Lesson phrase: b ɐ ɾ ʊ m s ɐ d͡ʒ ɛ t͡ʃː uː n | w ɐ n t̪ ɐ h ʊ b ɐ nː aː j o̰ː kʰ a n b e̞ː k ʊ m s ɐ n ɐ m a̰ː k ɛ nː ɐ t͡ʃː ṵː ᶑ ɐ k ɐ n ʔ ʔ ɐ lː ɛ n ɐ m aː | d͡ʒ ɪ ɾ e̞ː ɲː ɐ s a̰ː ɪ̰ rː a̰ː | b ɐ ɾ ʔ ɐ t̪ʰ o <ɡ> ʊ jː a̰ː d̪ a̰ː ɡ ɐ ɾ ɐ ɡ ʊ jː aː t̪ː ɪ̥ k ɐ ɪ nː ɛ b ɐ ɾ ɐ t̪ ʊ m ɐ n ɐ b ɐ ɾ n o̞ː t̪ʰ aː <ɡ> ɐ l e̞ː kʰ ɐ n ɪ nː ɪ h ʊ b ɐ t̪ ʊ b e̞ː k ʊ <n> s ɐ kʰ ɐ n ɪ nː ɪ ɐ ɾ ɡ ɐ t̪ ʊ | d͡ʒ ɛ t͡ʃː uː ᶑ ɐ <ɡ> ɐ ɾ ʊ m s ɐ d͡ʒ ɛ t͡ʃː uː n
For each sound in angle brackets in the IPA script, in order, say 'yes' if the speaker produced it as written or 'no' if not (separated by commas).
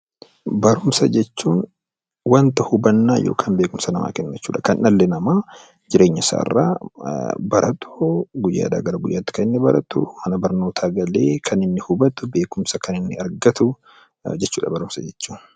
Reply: yes, yes, no, no